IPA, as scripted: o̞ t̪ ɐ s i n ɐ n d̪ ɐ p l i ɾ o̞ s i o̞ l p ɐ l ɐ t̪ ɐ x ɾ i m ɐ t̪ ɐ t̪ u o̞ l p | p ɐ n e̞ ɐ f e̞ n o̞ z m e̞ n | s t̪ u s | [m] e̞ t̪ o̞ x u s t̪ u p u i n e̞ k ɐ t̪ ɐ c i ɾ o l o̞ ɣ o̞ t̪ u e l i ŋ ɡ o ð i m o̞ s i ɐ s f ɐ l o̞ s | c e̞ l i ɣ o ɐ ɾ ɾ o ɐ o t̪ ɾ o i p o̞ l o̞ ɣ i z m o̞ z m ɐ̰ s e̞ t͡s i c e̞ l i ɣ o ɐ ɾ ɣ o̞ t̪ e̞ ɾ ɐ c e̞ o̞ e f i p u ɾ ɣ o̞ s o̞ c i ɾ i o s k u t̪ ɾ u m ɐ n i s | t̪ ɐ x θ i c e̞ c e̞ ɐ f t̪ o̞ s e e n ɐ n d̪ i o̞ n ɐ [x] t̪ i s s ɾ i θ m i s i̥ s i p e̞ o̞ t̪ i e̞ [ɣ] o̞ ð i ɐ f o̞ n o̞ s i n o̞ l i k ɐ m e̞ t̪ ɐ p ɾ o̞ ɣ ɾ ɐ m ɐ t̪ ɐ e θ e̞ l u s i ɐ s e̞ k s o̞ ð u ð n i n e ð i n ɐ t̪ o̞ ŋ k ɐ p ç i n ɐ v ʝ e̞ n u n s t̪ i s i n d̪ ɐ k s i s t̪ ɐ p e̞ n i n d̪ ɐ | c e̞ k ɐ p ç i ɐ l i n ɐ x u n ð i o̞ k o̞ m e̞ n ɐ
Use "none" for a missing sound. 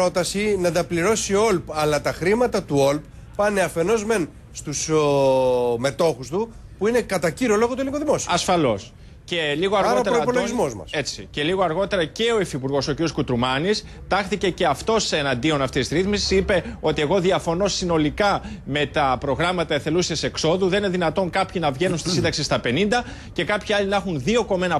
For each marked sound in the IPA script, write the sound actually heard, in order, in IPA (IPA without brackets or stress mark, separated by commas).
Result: m, f, ɣ